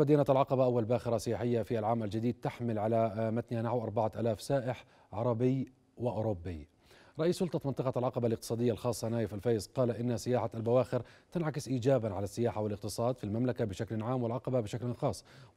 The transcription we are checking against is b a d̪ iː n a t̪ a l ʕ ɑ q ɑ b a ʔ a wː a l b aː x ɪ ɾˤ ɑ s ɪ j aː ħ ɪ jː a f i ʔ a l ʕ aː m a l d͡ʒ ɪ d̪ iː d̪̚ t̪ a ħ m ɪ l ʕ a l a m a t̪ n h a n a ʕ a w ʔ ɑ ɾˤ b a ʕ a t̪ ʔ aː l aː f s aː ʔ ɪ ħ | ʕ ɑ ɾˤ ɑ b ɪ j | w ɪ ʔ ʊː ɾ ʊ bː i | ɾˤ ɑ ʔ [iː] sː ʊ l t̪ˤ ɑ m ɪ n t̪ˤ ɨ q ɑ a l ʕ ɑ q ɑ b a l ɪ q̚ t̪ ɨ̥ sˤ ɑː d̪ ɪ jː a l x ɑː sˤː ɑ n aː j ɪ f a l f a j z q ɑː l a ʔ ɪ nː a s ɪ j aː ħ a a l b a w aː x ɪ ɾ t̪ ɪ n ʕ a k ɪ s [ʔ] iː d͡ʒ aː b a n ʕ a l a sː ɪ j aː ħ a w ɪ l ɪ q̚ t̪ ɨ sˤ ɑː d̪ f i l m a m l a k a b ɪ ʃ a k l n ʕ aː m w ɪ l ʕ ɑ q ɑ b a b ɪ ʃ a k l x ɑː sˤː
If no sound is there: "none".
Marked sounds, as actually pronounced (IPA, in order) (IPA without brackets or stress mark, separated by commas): iː, ʔ